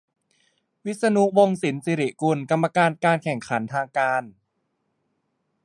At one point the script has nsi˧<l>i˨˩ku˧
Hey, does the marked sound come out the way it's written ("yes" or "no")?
no